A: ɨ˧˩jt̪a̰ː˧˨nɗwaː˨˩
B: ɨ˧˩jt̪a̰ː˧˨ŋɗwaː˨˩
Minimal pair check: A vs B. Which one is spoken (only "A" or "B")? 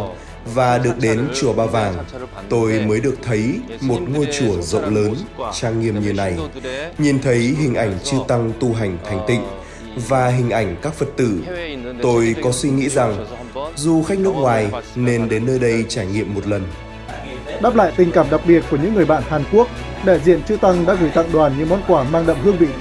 B